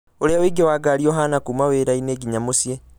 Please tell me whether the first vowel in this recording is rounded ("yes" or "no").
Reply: yes